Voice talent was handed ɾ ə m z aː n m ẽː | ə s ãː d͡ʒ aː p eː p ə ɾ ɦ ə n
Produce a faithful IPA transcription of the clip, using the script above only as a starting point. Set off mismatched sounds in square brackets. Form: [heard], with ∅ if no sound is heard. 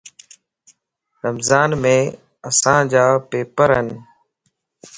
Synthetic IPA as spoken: ɾ ə m z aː n m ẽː | ə s ãː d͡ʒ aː p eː p ə ɾ ɦ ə n